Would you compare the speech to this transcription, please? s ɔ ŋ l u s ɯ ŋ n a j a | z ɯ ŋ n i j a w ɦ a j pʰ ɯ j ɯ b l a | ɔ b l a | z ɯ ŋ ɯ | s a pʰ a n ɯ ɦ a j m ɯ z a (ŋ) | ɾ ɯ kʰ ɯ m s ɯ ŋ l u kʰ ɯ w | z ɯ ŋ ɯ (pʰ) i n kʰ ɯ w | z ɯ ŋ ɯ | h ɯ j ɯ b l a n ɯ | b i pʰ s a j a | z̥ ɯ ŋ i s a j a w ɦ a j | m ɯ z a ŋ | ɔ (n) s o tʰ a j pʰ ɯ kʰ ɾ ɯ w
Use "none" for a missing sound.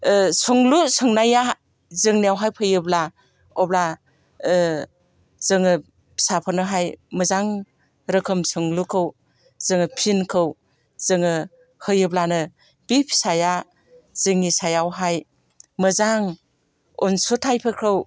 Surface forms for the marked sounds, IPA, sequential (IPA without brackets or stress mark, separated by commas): ŋ, pʰ, n